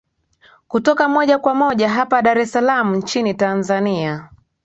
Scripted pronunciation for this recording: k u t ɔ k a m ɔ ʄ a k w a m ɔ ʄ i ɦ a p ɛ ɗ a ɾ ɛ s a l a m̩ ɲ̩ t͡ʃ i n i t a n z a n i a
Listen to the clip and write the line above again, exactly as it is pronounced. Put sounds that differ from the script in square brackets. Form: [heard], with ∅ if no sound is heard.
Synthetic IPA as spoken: k u t ɔ k a m ɔ ʄ a k w a m ɔ ʄ [a] ɦ a p [a] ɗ a ɾ ɛ s a l a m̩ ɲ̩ t͡ʃ i n i t a n z a n i a